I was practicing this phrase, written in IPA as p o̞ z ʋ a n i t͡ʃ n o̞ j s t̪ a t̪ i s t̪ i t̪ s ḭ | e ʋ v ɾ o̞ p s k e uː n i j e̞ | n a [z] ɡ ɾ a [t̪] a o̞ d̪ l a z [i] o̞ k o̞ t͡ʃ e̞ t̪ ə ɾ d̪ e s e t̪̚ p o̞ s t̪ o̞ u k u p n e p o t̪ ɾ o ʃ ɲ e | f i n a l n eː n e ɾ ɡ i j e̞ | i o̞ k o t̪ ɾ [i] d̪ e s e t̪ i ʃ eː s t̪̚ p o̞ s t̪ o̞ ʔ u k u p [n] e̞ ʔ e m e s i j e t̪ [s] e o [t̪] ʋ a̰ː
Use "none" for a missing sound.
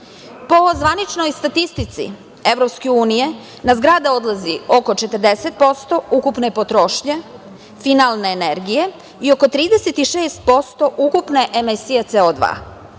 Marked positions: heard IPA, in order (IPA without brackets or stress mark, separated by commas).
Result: z, d̪, i, iː, n, s, d̪